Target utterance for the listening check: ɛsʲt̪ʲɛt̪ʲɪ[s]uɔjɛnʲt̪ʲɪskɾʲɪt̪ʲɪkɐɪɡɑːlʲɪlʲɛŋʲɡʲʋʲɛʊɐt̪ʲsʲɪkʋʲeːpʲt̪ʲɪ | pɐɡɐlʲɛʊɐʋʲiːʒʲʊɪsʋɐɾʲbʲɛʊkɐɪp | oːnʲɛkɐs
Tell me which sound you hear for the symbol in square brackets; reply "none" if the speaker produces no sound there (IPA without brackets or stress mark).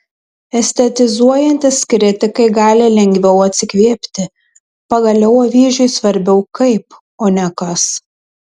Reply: z